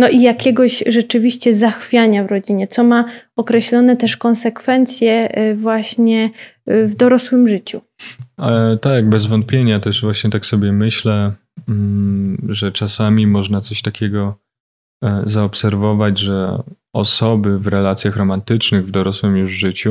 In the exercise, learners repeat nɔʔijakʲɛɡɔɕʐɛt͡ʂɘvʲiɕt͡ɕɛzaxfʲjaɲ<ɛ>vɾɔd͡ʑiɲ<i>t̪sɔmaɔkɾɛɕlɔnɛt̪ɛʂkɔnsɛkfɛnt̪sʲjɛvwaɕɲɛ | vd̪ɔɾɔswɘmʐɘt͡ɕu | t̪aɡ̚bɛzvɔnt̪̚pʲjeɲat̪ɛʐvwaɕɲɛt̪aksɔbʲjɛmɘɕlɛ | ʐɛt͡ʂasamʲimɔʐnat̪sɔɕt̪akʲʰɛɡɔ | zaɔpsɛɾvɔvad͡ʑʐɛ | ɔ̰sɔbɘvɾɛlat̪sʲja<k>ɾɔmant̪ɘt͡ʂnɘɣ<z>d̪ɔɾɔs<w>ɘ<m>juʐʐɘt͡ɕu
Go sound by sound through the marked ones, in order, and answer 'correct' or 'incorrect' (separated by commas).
incorrect, incorrect, incorrect, incorrect, correct, correct